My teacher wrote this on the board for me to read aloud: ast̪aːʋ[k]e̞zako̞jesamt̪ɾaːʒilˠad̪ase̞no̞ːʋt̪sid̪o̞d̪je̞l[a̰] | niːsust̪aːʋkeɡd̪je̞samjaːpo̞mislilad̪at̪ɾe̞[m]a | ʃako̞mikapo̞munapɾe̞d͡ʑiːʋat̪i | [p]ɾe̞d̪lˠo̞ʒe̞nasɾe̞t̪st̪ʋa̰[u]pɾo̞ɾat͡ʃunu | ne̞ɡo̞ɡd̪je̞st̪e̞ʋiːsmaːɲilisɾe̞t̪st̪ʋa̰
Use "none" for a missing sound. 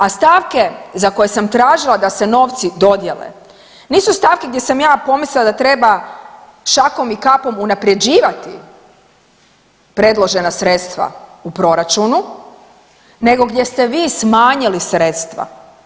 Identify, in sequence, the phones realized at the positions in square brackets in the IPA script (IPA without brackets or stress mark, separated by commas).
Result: k, ḛ, b, p, u